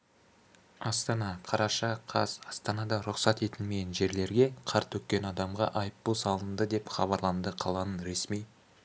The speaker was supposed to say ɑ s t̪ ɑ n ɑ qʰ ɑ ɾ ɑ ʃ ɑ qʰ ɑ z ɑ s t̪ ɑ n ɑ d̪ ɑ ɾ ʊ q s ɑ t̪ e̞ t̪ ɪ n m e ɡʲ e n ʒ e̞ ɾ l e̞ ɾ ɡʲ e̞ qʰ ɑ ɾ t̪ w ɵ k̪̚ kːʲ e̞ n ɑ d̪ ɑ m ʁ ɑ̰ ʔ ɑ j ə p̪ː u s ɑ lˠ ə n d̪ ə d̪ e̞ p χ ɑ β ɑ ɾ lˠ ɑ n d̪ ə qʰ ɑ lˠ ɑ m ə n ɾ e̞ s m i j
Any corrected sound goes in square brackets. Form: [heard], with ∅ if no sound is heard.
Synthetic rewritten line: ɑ s t̪ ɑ n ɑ qʰ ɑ ɾ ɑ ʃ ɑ qʰ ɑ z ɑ s t̪ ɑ n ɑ d̪ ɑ ɾ ʊ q s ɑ t̪ e̞ t̪ ɪ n m e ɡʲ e n ʒ e̞ ɾ l e̞ ɾ ɡʲ e̞ qʰ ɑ ɾ t̪ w ɵ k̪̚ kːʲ e̞ n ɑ d̪ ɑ m ʁ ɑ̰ ʔ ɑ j ə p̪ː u s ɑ lˠ ə n d̪ ə d̪ e̞ p χ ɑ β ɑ ɾ lˠ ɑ n d̪ ə qʰ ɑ lˠ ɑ [n] ə n ɾ e̞ s m i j